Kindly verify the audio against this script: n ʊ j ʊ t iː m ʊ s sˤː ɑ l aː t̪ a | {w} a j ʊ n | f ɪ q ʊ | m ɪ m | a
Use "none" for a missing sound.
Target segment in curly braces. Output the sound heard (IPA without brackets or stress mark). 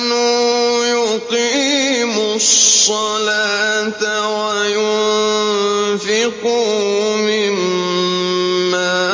w